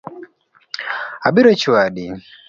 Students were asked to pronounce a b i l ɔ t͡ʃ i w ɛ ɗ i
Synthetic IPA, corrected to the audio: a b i ɾ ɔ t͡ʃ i w a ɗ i